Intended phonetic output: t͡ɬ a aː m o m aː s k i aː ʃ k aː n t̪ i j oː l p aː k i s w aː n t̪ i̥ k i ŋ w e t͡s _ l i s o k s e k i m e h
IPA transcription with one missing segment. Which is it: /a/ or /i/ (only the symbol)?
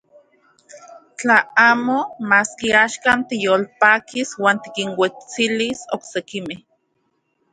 i